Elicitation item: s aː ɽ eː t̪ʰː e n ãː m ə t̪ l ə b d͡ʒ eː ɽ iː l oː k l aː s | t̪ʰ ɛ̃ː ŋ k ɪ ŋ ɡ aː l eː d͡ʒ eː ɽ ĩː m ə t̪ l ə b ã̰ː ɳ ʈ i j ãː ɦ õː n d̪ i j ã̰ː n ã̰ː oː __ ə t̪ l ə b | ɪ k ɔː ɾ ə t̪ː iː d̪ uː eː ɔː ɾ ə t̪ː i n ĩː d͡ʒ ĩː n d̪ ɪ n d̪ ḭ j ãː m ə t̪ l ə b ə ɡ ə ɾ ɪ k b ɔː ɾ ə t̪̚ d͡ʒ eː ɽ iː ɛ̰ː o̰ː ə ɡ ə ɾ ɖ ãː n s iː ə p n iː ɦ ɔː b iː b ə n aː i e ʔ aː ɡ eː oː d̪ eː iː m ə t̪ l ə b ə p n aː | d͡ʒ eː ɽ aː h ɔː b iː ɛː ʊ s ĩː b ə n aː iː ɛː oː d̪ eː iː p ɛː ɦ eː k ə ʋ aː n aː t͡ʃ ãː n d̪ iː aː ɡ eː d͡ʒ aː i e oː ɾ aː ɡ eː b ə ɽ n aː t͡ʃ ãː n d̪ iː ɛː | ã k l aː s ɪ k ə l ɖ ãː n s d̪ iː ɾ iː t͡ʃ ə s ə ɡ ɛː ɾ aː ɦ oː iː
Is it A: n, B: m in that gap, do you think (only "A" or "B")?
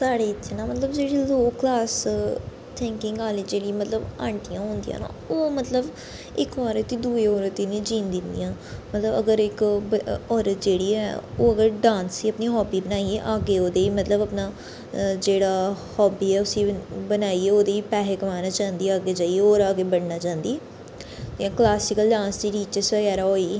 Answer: B